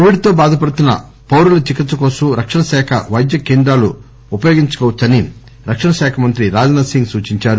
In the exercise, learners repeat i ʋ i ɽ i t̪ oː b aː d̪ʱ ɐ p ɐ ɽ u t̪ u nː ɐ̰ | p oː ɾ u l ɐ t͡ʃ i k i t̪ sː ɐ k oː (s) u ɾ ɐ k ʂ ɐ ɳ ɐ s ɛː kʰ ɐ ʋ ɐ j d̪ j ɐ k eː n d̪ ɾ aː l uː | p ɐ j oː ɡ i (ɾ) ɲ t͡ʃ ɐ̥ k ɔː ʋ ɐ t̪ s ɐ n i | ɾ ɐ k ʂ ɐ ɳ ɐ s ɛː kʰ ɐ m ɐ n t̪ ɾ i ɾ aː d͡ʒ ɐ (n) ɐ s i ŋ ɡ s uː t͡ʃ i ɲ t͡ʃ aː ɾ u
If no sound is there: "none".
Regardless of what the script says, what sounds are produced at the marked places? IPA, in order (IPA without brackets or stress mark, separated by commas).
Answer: s, none, n